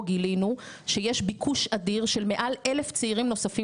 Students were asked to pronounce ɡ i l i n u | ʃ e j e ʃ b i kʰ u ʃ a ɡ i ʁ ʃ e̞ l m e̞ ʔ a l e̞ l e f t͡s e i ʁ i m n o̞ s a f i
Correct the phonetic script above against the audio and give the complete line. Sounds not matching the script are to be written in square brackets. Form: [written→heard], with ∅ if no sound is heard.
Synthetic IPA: ɡ i l i n u | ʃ e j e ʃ b i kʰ u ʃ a [ɡ→d] i ʁ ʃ e̞ l m e̞ ʔ a l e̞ l e f t͡s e i ʁ i m n o̞ s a f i